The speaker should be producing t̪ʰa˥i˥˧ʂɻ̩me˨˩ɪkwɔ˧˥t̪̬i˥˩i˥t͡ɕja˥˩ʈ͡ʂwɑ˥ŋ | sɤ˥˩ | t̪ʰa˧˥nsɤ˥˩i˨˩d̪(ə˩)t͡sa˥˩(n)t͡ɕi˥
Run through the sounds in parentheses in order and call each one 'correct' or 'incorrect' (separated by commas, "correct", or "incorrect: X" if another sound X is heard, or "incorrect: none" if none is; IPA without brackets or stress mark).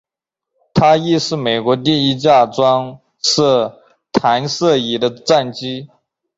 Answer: incorrect: ə˦, correct